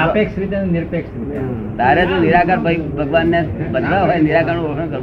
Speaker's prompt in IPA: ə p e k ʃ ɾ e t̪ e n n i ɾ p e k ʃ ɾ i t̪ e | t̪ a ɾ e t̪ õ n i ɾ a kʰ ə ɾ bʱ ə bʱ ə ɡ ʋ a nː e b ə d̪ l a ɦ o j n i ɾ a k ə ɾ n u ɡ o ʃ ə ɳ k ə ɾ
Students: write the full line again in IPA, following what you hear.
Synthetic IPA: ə p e k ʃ ɾ i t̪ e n n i ɾ p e k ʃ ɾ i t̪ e | t̪ a ɾ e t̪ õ n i ɾ a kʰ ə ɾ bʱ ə bʱ ə ɡ ʋ a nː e b ə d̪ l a ɦ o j n i ɾ a k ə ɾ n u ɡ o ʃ ə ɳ k ə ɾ